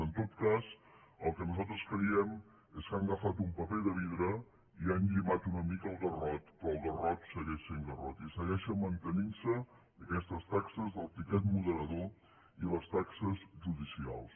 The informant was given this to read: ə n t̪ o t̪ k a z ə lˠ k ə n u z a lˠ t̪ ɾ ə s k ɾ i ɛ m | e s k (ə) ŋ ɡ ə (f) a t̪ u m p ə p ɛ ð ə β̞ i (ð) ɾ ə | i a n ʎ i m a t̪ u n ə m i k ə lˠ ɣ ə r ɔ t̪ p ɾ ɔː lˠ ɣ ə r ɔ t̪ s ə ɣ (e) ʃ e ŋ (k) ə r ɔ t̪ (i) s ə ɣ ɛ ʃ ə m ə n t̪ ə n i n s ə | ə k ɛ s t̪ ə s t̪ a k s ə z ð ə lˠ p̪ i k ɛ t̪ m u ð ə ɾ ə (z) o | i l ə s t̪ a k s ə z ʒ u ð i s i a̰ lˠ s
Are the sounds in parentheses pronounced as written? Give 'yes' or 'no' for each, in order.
no, yes, yes, no, no, yes, no

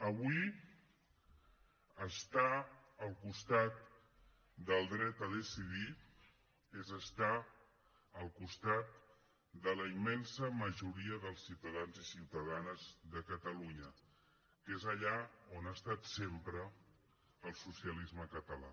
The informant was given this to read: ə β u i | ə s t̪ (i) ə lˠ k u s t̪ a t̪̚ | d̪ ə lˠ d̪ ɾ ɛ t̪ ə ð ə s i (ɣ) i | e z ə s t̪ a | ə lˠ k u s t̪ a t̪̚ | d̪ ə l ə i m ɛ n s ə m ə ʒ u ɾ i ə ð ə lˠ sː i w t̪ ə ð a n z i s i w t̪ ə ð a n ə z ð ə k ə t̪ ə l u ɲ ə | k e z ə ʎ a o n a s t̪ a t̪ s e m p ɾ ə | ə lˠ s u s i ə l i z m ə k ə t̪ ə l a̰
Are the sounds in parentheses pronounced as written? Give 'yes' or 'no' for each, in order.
no, no

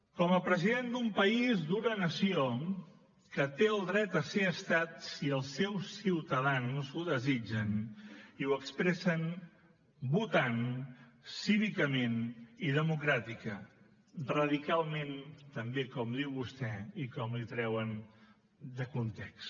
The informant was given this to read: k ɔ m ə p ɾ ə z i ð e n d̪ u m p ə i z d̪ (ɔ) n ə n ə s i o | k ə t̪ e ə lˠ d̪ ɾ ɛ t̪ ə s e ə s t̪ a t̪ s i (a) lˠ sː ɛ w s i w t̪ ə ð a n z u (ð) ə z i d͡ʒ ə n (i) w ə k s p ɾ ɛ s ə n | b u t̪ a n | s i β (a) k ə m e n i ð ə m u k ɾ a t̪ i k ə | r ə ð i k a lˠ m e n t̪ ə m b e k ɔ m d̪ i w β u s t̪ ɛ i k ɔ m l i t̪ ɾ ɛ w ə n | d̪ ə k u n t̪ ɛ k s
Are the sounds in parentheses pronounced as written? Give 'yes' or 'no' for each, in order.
no, no, yes, yes, no

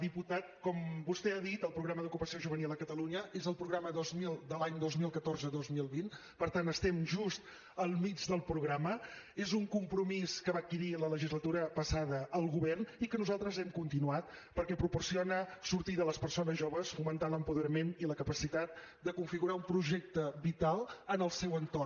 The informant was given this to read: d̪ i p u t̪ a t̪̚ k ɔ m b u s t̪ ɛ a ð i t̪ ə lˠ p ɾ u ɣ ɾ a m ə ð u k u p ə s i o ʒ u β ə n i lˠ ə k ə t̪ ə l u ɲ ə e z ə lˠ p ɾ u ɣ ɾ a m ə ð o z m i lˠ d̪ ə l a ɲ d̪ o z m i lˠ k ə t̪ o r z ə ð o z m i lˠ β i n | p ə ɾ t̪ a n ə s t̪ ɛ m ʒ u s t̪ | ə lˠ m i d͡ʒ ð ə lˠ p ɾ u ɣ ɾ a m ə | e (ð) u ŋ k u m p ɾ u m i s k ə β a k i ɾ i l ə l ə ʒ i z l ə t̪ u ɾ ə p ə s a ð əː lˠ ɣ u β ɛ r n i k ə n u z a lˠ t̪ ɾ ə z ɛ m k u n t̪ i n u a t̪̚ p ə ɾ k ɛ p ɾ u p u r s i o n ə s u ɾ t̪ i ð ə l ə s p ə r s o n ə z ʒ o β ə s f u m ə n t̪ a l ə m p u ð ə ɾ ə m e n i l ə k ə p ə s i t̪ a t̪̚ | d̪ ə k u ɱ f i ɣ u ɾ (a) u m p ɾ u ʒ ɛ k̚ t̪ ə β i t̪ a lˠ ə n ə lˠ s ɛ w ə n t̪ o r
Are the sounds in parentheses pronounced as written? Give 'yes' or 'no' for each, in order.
no, yes

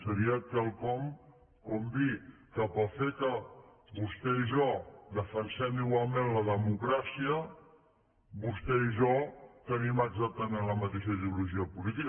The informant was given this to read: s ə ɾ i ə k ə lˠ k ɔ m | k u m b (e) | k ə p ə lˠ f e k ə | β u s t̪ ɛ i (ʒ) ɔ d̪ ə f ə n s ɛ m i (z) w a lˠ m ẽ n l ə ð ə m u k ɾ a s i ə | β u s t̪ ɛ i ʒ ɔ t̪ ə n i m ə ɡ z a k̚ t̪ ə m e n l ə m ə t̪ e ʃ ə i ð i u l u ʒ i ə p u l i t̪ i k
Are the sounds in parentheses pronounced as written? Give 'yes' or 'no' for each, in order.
no, yes, no

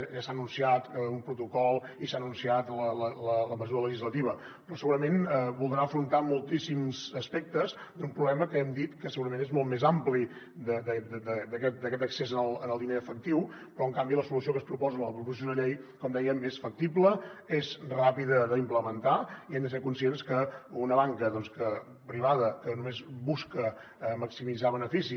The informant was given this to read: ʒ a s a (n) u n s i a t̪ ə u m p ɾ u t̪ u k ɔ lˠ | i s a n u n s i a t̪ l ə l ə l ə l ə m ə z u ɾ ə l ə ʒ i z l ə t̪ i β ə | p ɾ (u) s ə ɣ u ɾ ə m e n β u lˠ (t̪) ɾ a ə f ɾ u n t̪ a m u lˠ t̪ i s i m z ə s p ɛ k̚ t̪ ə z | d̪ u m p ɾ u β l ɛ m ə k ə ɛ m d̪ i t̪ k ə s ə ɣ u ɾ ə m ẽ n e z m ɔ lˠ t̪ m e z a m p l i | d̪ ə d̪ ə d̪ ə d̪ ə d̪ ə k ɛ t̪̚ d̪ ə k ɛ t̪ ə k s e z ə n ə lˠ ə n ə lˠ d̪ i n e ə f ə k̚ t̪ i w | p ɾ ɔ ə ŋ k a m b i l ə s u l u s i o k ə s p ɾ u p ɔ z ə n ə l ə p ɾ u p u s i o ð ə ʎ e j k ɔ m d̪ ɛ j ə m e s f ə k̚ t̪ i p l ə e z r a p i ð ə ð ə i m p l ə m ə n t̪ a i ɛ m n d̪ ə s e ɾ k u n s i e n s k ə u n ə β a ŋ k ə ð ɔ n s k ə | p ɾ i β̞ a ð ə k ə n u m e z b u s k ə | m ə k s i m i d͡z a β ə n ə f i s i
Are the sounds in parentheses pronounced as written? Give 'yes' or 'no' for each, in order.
yes, no, no

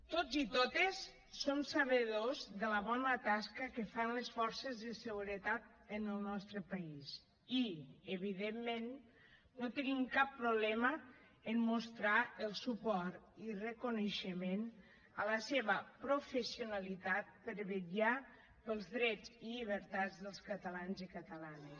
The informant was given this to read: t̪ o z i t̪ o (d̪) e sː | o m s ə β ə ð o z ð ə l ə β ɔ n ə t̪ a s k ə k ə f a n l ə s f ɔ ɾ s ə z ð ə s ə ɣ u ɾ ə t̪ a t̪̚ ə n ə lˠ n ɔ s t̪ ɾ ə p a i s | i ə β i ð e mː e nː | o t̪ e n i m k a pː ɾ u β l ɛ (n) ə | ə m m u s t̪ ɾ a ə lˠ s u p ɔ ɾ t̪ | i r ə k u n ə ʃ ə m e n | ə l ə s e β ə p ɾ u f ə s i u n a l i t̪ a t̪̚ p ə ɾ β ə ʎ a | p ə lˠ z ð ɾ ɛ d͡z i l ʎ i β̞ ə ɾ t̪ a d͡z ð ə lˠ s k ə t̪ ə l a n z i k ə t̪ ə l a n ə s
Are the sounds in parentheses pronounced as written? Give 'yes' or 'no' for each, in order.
no, no

